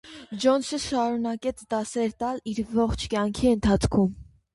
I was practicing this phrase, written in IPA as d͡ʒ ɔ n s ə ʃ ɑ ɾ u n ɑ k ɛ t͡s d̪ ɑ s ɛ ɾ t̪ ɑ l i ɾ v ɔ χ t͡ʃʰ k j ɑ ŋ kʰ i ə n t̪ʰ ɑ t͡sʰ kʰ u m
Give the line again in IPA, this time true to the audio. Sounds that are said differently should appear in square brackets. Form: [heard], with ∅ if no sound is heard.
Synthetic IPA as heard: d͡ʒ ɔ n s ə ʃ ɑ ɾ u n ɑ k ɛ [t͡sʰ] d̪ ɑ s ɛ ɾ t̪ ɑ l i ɾ v ɔ χ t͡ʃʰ k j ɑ ŋ kʰ i ə n t̪ʰ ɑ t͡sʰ kʰ u m